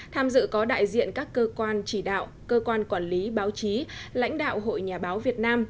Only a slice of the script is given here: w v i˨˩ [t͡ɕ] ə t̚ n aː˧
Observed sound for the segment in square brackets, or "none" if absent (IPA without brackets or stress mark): none